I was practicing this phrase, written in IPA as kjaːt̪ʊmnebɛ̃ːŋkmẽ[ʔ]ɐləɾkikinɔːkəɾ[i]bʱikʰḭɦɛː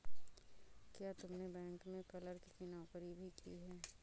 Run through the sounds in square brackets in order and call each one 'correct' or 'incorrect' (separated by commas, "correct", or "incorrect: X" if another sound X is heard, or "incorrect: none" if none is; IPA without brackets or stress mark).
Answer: incorrect: k, correct